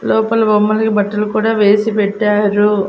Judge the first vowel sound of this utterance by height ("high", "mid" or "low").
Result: mid